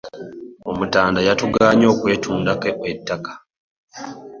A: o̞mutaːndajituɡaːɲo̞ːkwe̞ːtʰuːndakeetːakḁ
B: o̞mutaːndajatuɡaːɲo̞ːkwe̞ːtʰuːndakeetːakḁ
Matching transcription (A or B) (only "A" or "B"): B